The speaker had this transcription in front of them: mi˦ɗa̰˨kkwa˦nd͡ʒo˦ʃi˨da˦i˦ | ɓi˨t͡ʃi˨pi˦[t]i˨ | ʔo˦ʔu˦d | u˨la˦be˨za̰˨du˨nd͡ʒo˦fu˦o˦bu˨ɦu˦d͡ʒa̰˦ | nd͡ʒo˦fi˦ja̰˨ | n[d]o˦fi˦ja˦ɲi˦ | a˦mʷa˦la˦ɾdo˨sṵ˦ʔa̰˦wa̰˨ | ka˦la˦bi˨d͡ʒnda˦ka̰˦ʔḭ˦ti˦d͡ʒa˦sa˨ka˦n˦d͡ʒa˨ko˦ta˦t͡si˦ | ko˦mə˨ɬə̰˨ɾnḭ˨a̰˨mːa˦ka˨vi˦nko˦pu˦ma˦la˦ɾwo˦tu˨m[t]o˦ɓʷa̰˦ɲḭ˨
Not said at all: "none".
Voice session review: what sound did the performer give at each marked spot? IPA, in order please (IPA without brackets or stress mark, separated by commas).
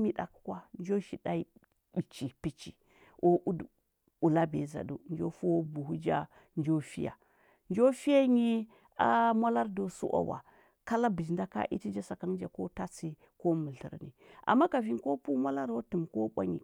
t͡ʃ, d͡ʒ, k